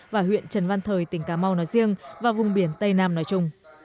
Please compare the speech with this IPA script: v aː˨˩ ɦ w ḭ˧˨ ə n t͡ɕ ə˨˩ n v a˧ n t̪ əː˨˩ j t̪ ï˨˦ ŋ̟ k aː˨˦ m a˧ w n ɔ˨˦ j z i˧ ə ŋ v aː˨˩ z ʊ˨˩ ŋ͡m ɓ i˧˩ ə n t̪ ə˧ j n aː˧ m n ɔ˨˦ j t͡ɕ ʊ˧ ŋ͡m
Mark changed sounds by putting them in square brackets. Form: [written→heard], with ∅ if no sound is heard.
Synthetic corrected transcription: v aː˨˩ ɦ w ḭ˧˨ ə n t͡ɕ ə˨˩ n v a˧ n [t̪→t̪ʰ] əː˨˩ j t̪ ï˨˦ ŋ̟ k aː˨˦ m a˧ w n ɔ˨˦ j z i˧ ə ŋ v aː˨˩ [z→v] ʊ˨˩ ŋ͡m ɓ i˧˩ ə n t̪ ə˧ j n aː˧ m n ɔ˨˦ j t͡ɕ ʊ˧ ŋ͡m